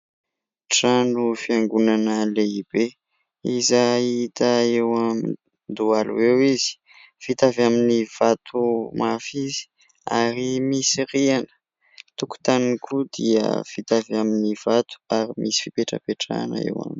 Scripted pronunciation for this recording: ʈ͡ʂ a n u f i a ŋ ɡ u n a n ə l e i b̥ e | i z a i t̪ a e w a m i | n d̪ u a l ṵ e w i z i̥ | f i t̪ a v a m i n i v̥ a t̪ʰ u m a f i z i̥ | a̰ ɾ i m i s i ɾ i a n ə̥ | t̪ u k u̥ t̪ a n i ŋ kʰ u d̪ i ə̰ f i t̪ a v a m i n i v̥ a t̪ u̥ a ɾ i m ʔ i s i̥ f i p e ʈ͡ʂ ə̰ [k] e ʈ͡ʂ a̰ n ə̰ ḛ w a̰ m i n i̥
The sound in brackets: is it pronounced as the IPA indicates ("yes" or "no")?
no